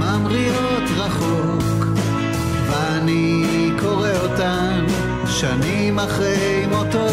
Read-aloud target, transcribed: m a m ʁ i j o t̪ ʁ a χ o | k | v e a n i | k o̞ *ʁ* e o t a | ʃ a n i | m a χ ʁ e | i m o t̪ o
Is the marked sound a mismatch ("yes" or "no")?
no